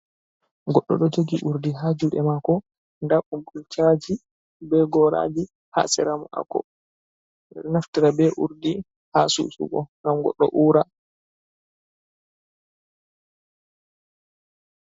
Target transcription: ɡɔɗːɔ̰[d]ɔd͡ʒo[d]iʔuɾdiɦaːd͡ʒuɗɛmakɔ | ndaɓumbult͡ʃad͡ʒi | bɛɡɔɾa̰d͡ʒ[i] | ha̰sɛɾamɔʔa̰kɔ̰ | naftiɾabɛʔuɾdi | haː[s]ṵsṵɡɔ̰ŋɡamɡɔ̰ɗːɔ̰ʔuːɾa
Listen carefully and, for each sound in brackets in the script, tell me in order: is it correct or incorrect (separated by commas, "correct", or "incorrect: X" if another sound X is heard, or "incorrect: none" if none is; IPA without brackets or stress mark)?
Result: incorrect: ɗ, incorrect: ɡ, correct, correct